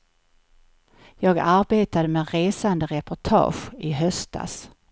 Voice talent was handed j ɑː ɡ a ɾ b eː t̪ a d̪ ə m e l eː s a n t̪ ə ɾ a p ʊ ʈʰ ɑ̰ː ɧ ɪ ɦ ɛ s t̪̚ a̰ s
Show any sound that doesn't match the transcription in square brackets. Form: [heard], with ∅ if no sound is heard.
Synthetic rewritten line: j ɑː ɡ a ɾ b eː t̪ a d̪ ə m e [ɾ] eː s a n [d̪] ə ɾ [ɛ] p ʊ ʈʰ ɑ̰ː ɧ ɪ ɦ [œ] s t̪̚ a̰ s